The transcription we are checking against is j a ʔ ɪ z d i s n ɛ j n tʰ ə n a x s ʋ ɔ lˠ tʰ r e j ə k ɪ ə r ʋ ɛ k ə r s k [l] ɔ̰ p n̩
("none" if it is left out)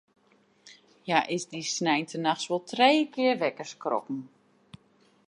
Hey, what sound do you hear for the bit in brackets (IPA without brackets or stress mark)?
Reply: r